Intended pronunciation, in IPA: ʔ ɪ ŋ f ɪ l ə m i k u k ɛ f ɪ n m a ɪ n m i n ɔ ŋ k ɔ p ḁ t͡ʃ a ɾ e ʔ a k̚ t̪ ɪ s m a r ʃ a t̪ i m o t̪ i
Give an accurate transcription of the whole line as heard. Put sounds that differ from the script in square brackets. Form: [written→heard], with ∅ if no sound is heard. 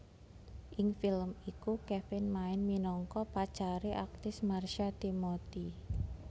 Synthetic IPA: ʔ ɪ ŋ f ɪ l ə m i k u k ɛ f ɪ n m a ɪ n m i n ɔ ŋ k ɔ p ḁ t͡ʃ a ɾ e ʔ a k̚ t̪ ɪ s m a r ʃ a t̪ i m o t̪ i